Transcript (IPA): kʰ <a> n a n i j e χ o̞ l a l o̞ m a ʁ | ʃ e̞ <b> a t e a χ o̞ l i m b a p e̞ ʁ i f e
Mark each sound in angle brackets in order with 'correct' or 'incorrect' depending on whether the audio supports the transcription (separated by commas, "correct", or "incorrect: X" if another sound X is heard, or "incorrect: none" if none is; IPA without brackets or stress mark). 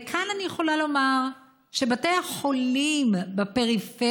correct, correct